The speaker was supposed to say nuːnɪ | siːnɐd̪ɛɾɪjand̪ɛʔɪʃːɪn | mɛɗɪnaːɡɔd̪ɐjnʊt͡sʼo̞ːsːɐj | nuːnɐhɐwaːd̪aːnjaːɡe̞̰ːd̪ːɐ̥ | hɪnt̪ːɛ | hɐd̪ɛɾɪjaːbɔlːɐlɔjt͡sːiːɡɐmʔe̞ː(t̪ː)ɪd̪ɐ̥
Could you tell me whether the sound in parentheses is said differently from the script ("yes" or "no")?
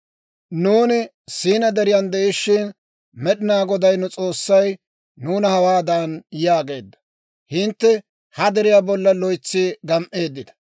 yes